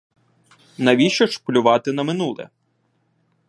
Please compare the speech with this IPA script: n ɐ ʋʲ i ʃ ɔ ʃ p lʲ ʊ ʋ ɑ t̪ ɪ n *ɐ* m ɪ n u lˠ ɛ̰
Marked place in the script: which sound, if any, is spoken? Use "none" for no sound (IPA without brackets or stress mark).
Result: ɐ